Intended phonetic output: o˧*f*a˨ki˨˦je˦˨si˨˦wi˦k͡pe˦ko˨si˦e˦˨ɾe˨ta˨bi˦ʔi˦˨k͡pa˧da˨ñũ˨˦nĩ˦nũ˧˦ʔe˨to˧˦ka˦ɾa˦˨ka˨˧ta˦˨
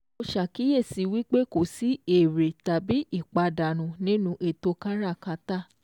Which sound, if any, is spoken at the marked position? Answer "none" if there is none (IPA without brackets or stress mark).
ʃ